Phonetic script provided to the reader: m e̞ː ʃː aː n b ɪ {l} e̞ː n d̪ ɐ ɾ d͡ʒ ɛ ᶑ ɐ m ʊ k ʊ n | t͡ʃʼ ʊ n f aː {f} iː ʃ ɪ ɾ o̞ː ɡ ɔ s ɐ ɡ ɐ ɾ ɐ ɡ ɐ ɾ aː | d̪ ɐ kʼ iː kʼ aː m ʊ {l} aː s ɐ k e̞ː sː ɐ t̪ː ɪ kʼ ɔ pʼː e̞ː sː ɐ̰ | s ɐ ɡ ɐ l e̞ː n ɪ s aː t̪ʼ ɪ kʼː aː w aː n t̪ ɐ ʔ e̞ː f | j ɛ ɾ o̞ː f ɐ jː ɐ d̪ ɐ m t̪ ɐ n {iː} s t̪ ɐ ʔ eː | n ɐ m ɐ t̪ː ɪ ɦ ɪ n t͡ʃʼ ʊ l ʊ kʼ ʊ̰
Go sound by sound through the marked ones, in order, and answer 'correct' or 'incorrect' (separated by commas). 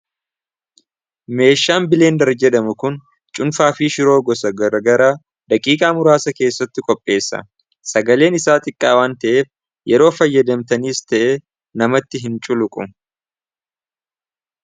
correct, correct, incorrect, correct